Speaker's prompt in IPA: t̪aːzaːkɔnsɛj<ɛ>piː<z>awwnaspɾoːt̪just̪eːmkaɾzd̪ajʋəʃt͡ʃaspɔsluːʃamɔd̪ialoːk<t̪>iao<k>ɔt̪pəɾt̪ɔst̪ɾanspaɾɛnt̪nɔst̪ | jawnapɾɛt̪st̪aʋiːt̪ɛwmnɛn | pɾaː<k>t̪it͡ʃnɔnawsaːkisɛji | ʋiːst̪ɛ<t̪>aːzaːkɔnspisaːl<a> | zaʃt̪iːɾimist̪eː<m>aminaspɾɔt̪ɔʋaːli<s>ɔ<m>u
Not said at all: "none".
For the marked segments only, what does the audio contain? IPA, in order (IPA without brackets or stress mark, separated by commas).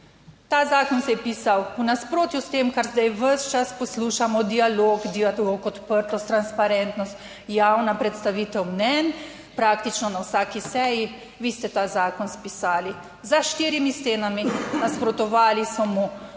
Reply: ɛ, s, d̪, k, k, t̪, i, n, s, m